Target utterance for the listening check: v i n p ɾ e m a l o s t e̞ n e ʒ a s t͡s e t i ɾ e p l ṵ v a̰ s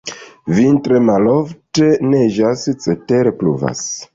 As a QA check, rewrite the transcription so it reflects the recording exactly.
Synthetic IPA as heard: v i n t ɾ e m a l o f t e̞ n e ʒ a s t͡s e t e ɾ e p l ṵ v a̰ s